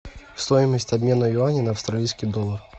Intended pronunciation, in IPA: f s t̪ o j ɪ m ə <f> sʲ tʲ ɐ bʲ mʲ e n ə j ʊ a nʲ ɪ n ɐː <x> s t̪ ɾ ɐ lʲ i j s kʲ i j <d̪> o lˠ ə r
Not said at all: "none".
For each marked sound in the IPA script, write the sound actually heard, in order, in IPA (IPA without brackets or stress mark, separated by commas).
none, f, d̪